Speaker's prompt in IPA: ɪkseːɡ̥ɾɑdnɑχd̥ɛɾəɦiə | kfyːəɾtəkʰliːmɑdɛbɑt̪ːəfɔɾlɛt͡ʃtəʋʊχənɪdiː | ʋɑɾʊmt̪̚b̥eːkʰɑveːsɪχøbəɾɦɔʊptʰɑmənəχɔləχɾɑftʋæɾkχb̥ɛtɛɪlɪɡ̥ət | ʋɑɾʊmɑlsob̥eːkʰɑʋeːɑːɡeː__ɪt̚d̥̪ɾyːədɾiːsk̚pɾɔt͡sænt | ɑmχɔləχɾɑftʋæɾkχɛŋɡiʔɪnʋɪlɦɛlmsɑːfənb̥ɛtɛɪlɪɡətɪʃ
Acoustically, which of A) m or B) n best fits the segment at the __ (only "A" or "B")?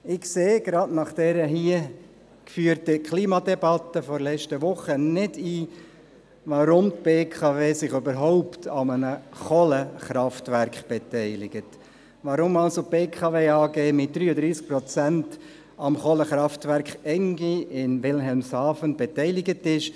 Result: A